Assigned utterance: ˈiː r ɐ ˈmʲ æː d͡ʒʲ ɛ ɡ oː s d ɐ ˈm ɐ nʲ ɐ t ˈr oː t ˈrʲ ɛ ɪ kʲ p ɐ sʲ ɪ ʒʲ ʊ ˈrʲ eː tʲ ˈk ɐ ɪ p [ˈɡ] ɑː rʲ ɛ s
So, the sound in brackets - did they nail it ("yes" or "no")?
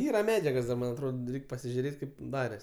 no